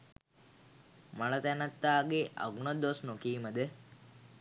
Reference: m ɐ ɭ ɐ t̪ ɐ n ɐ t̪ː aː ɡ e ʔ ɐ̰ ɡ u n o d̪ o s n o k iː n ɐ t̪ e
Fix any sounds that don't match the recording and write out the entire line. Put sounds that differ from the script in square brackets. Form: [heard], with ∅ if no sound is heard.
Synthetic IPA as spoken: m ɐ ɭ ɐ t̪ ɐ n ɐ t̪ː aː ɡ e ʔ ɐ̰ ɡ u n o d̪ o s n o k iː [m] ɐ [d̪] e